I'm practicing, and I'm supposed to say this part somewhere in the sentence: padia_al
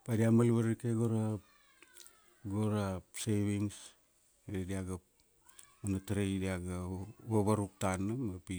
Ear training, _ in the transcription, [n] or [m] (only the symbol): m